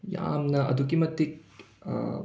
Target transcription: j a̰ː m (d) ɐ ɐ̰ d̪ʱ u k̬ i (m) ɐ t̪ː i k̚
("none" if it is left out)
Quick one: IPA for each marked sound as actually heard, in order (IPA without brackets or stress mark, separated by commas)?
n, m